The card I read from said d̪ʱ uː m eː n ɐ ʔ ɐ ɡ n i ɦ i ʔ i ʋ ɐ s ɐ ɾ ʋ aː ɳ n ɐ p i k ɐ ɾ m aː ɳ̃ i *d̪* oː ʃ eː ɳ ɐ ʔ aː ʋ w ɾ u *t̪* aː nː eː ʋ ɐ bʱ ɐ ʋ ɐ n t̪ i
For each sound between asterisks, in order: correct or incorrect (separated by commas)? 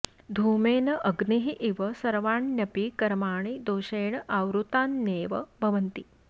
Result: correct, correct